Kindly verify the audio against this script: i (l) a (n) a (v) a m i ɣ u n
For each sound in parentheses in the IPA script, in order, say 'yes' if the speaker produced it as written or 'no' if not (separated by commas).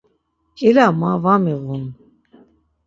yes, no, yes